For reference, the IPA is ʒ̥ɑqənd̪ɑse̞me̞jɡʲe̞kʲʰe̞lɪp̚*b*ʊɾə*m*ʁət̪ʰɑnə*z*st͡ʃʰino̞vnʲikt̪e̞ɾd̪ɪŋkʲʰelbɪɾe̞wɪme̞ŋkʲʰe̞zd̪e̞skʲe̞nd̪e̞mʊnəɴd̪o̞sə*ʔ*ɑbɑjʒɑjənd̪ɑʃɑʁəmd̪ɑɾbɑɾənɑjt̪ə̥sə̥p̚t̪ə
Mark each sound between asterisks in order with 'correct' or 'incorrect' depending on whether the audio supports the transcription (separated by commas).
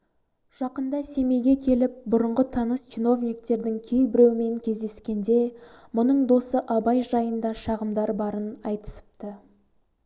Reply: correct, incorrect, incorrect, correct